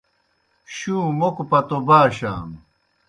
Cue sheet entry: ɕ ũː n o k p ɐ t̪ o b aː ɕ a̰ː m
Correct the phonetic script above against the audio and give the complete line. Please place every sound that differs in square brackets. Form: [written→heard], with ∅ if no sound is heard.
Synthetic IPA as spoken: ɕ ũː [n→m] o k p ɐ t̪ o b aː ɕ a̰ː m